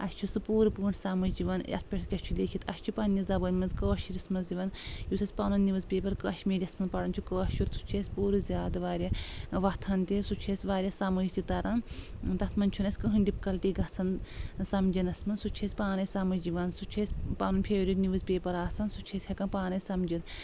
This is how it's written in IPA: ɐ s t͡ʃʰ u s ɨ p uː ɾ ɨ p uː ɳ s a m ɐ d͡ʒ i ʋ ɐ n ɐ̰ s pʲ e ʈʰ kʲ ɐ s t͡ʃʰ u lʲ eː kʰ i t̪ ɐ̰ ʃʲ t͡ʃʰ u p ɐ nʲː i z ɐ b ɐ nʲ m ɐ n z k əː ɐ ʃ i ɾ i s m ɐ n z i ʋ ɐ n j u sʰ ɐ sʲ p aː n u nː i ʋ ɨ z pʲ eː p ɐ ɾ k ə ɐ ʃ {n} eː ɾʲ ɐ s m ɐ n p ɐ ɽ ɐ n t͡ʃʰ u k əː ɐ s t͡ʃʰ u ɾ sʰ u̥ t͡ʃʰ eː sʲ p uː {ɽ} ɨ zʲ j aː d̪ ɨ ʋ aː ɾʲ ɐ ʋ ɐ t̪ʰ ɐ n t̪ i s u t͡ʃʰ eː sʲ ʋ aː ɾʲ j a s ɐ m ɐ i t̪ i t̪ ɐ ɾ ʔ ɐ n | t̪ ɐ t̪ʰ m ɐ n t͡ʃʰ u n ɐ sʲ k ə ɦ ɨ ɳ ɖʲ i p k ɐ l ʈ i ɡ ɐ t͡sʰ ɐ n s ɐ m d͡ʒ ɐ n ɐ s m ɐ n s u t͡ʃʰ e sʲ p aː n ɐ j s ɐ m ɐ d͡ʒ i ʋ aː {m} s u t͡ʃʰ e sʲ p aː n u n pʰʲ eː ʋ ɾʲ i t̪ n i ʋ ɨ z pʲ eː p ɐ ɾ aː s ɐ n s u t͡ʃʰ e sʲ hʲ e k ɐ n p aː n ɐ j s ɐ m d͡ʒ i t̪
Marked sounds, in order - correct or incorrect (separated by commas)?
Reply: incorrect, incorrect, incorrect